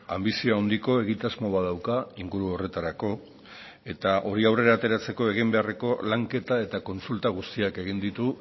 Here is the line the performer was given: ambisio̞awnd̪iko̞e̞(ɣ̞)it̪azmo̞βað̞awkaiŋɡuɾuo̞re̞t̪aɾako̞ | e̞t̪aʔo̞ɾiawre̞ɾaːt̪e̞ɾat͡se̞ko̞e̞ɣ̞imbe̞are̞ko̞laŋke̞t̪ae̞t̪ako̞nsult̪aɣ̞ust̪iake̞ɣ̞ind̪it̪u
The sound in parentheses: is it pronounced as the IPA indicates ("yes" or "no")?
yes